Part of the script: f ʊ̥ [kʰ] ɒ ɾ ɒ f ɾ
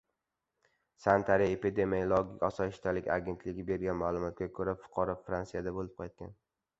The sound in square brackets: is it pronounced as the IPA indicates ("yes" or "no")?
no